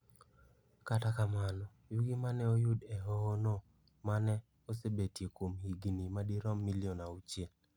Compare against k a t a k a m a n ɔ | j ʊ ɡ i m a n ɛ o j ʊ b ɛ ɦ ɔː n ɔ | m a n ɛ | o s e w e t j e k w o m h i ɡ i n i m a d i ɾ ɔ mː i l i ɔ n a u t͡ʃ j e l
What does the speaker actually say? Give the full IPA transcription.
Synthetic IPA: k a t a k a m a n ɔ | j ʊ ɡ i m a n ɛ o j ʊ d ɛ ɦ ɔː n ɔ | m a n ɛ | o s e b e t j e k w o m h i ɡ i n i m a d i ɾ ɔ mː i l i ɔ n a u t͡ʃ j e l